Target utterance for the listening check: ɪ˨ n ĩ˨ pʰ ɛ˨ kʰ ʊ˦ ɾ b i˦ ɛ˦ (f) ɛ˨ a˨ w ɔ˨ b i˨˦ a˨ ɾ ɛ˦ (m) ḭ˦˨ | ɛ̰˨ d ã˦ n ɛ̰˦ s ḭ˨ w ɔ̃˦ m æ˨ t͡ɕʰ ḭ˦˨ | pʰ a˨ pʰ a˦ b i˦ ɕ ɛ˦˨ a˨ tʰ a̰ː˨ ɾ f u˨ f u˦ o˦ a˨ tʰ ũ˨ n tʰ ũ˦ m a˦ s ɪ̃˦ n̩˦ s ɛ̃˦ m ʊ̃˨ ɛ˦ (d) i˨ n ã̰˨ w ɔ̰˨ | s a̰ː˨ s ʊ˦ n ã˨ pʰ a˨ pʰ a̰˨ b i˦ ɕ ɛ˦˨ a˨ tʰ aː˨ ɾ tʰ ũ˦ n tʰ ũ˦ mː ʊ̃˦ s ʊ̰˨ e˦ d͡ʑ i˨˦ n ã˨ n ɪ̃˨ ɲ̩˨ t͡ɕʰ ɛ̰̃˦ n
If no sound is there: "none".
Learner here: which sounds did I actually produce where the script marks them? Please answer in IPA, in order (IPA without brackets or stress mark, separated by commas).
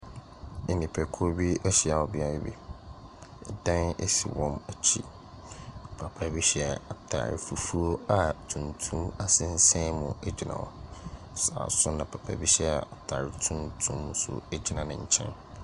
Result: ɕ, b, d͡ʑ